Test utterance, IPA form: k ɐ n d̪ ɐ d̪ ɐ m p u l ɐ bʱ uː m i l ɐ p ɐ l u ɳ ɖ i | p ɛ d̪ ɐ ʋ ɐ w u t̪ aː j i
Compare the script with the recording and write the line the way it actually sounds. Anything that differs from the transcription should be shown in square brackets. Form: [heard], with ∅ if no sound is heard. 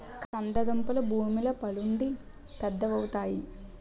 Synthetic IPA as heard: k ɐ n d̪ ɐ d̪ ɐ m p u l ɐ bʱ uː m i l ɐ p ɐ l u ɳ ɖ i | p ɛ [d̪ː] ɐ ʋ ɐ w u t̪ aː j i